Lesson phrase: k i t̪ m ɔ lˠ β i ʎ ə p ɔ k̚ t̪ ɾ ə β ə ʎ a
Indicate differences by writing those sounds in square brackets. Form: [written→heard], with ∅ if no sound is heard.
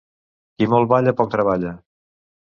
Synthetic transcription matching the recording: k i [t̪→∅] m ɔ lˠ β [i→a] ʎ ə p ɔ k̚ t̪ ɾ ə β [ə→a] ʎ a